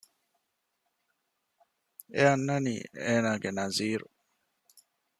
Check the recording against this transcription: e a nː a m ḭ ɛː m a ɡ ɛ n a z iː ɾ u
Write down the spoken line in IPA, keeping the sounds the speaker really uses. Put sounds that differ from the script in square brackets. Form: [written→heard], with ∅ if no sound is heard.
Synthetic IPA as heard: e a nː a [m→n] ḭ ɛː [m→n] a ɡ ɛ n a z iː ɾ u